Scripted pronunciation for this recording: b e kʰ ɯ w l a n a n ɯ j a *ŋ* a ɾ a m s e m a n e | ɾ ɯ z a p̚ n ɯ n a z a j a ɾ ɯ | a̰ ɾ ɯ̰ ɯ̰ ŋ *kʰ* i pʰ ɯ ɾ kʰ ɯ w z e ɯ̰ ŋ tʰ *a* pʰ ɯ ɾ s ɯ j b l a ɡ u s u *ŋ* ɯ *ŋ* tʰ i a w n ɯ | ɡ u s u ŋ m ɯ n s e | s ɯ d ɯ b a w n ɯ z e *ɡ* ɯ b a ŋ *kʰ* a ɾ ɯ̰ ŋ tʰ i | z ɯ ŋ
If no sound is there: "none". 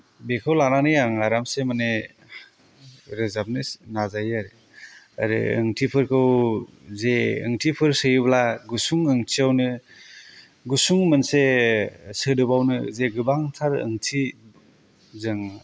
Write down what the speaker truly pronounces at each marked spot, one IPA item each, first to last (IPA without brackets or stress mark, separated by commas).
ŋ, tʰ, i, ŋ, ŋ, ɡ, tʰ